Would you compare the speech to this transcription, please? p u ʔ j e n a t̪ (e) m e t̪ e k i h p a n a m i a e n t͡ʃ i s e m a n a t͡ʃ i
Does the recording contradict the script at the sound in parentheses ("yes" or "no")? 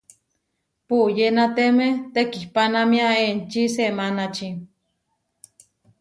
no